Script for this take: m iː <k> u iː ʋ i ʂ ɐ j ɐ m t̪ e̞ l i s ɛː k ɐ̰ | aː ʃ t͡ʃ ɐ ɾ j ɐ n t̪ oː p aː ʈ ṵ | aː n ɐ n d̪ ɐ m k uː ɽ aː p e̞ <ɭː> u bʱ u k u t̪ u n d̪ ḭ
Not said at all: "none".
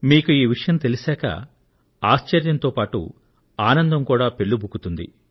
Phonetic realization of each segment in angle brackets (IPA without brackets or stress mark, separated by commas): k, ɭː